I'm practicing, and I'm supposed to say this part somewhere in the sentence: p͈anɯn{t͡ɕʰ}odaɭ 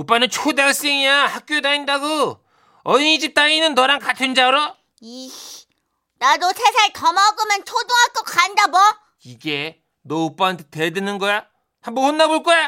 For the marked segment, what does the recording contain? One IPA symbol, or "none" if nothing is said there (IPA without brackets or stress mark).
t͡ɕʰ